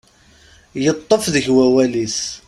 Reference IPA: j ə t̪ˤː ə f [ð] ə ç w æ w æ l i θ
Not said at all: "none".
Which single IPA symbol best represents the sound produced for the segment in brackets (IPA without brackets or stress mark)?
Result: ð